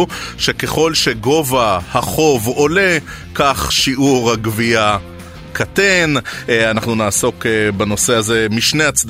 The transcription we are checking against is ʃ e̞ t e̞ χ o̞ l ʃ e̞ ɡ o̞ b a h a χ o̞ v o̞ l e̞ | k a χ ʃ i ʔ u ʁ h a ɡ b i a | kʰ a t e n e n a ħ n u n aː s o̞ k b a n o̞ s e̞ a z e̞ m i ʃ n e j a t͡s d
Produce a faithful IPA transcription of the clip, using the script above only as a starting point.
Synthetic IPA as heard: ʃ e̞ k e̞ χ o̞ l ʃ e̞ ɡ o̞ v a h a χ o̞ v o̞ l e̞ | k a χ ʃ i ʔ u ʁ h a ɡ v i a | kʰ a t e n a n a χ n u n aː s o̞ k b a n o̞ s e̞ a z e̞ m i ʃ n e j a t͡s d